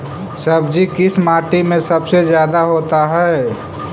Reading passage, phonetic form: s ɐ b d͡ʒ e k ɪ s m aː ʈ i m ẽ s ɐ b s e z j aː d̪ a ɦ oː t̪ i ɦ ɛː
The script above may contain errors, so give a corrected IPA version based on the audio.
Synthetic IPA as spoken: s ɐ b d͡ʒ i k ɪ s m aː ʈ i m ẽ s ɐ b s e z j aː d̪ a ɦ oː t̪ a ɦ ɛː

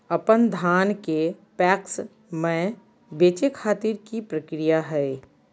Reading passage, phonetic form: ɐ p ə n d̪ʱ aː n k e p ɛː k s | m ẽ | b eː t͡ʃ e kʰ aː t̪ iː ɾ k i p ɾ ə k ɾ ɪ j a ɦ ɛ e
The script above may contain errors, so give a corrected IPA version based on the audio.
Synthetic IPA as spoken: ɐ p ə n d̪ʱ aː n k e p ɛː k s | m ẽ | b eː t͡ʃ e kʰ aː t̪ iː ɾ k i p ɾ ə k ɾ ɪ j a ɦ ɛ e

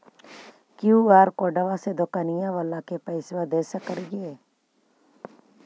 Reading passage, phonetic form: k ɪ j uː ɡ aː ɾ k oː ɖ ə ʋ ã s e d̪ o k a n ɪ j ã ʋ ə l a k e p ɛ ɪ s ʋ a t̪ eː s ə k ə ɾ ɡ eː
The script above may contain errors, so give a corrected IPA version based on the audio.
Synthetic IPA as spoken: k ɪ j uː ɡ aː ɾ k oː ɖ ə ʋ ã s e d̪ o k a n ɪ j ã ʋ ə l a k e p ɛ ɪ s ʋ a d̪ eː s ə k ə ɾ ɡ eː

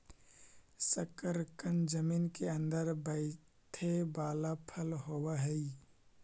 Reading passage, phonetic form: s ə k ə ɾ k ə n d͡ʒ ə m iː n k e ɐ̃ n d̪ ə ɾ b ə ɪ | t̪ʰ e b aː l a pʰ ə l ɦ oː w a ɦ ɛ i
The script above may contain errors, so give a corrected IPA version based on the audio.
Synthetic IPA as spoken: s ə k ə ɾ k ə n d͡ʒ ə m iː n k e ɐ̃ n d̪ ə ɾ b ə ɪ | t̪ʰ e b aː l a pʰ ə l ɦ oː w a ɦ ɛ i

